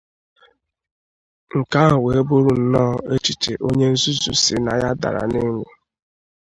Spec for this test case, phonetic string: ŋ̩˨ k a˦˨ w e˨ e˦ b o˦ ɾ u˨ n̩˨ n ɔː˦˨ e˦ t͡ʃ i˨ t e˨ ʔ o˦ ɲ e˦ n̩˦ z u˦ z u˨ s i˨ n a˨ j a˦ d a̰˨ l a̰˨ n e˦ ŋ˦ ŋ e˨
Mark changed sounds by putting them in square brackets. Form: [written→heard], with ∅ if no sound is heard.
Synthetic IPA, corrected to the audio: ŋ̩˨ k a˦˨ w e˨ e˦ b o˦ ɾ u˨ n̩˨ n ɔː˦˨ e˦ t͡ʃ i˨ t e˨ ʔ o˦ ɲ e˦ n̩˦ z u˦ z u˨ s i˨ n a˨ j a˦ d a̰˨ [l→ɾ] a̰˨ n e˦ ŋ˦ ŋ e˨